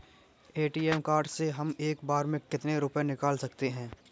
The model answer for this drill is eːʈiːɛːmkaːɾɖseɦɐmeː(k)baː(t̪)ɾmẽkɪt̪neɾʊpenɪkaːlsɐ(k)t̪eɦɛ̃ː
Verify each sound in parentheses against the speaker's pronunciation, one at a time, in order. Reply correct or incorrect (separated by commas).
correct, incorrect, correct